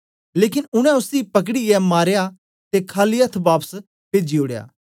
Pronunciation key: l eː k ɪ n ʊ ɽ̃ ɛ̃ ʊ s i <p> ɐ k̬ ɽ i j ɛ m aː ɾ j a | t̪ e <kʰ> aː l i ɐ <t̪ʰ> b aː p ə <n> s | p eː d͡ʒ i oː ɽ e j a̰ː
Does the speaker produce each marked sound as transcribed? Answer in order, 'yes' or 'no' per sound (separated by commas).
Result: yes, yes, yes, no